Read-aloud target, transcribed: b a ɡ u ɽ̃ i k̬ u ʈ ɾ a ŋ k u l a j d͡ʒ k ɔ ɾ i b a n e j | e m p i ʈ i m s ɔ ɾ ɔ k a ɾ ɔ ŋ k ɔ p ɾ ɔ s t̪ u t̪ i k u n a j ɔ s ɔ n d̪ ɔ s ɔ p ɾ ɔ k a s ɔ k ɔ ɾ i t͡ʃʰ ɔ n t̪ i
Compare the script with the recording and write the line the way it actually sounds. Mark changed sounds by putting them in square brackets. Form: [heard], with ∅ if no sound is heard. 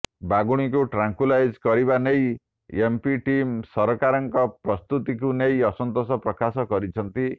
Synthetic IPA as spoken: b a ɡ u ɽ̃ i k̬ u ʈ ɾ a ŋ k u l a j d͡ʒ k ɔ ɾ i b a n e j | e m p i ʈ i m s ɔ ɾ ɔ k a ɾ ɔ ŋ k ɔ p ɾ ɔ s t̪ u t̪ i k u n [e] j ɔ s ɔ n [t̪] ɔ s ɔ p ɾ ɔ k a s ɔ k ɔ ɾ i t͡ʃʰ ɔ n t̪ i

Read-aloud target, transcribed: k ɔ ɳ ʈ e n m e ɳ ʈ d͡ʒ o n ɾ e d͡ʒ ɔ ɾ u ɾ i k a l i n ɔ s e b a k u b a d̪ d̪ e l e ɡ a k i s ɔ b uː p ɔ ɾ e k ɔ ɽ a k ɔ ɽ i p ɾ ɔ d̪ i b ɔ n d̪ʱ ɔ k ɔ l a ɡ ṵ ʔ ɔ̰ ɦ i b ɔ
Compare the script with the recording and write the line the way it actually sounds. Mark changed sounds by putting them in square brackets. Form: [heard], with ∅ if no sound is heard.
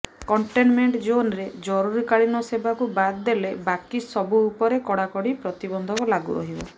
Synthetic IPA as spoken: k ɔ ɳ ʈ e n m e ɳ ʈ d͡ʒ o n ɾ e d͡ʒ ɔ ɾ u ɾ i k a [ɭ] i n ɔ s e b a k u b a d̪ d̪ e l e [b] a k i s ɔ b uː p ɔ ɾ e k ɔ ɽ a k ɔ ɽ i p ɾ ɔ [t̪] i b ɔ n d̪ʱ ɔ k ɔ l a ɡ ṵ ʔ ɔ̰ ɦ i b ɔ

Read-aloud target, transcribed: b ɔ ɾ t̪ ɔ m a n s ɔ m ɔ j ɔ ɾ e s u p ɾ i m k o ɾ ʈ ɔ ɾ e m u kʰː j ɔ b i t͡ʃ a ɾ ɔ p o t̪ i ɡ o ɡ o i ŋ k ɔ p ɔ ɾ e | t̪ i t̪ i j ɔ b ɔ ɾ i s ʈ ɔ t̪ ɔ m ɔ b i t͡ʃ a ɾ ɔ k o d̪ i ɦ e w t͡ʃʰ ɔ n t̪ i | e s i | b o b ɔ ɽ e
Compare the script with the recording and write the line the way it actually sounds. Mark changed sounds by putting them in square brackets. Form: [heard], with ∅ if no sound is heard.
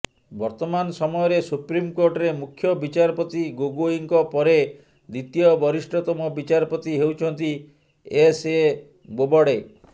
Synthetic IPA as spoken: b ɔ ɾ t̪ ɔ m a n s ɔ m ɔ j ɔ ɾ e s u p ɾ i m k o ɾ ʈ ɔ ɾ e m u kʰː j ɔ b i t͡ʃ a ɾ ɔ p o t̪ i ɡ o ɡ o i ŋ k ɔ p ɔ ɾ e | [d̪] i t̪ i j ɔ b ɔ ɾ i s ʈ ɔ t̪ ɔ m ɔ b i t͡ʃ a ɾ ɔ [p] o [t̪] i ɦ e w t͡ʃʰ ɔ n t̪ i | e s [e] | b o b ɔ ɽ e

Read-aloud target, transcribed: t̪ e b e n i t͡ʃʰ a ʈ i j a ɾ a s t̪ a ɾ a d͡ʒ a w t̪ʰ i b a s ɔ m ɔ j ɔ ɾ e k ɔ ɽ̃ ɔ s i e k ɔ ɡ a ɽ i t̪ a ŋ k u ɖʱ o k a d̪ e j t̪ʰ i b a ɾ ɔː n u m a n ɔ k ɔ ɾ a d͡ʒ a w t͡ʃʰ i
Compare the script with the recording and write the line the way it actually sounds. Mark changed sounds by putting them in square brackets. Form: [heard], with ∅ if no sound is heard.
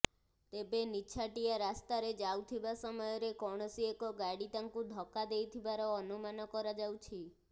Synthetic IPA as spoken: t̪ e b e n i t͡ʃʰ a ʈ i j a ɾ a s t̪ a ɾ [e] d͡ʒ a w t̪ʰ i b a s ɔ m ɔ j ɔ ɾ e k ɔ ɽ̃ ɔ s i e k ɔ ɡ a ɽ i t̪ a ŋ k u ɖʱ [ɔ] k a d̪ e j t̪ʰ i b a ɾ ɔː n u m a n ɔ k ɔ ɾ a d͡ʒ a w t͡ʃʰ i

